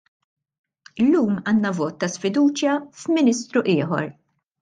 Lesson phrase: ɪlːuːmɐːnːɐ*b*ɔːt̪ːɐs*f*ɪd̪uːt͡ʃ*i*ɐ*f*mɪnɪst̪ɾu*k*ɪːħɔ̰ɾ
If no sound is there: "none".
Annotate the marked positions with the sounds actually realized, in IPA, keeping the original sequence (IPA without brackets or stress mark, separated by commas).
v, f, j, f, ʔ